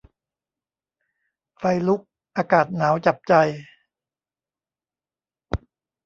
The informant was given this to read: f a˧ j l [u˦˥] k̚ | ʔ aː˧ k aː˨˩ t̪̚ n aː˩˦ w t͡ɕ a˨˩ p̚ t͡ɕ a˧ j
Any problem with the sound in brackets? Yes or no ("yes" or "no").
no